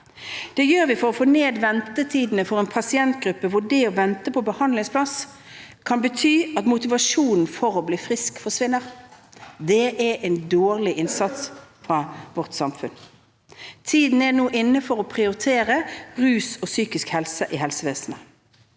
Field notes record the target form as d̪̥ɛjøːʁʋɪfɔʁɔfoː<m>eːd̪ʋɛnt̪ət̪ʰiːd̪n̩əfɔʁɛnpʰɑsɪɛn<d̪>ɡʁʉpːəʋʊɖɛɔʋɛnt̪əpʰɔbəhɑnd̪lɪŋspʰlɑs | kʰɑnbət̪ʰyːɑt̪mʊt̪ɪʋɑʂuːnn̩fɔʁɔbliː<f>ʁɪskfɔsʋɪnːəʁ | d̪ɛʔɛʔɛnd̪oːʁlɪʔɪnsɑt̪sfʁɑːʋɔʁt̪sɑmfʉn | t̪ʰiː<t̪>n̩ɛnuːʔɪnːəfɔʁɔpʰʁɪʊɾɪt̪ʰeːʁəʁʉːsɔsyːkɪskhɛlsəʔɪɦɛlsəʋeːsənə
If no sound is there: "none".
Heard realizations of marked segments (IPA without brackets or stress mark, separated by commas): n, t̪, f, d̪